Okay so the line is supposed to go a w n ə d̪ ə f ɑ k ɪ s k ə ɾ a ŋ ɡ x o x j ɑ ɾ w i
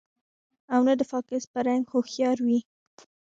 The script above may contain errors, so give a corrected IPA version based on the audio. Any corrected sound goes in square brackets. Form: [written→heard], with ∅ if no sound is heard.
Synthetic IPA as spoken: a w n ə d̪ ə f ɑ k ɪ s [k→p] ə ɾ a ŋ ɡ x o x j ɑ ɾ w i